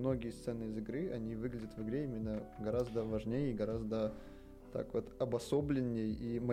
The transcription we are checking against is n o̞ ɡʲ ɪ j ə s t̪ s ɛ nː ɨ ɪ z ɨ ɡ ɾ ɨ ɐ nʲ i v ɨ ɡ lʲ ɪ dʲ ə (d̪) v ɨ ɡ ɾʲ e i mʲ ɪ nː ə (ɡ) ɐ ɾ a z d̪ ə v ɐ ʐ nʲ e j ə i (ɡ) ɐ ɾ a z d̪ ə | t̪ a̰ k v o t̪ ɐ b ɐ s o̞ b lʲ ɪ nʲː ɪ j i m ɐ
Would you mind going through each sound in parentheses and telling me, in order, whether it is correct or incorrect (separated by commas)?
incorrect, correct, correct